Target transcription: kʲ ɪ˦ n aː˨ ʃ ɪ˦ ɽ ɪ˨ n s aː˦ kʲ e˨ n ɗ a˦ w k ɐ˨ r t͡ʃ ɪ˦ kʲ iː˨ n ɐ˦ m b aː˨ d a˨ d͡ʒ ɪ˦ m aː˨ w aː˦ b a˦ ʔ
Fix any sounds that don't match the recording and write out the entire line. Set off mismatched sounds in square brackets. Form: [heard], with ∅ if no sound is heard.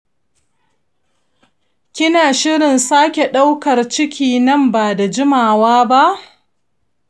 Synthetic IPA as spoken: kʲ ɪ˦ n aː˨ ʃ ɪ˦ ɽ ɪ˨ n s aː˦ kʲ e˨ [∅] ɗ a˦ w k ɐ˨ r t͡ʃ ɪ˦ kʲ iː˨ n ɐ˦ m b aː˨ d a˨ d͡ʒ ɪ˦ m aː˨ w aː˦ b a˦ ʔ